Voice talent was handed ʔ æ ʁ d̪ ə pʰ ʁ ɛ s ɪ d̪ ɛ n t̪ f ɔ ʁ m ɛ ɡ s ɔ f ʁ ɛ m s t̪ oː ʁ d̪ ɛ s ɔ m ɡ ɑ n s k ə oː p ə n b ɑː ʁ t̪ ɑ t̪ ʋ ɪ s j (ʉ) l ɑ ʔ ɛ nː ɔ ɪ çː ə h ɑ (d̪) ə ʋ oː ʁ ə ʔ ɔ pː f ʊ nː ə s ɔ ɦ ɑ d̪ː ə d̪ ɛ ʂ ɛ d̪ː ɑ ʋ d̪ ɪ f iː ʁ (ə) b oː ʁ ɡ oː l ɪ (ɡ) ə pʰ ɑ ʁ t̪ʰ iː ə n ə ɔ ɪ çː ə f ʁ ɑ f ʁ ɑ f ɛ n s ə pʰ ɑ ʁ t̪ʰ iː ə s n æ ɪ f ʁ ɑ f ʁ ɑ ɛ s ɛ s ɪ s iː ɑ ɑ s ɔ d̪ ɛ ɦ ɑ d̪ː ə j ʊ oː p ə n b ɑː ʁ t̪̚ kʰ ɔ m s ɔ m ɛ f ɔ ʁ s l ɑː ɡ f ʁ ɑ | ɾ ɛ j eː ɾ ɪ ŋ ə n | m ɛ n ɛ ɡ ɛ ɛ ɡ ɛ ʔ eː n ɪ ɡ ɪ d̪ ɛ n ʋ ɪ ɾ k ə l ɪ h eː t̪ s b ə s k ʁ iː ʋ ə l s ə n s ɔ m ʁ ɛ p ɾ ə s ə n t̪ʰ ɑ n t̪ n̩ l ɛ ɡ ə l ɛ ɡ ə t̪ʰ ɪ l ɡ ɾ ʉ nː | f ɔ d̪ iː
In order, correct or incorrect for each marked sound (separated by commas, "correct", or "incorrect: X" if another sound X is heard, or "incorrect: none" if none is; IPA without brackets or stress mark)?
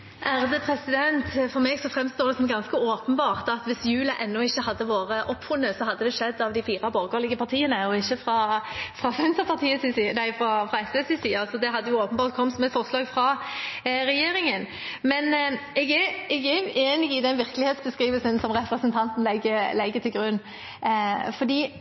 incorrect: ʉː, incorrect: d̪ː, incorrect: ɑ, correct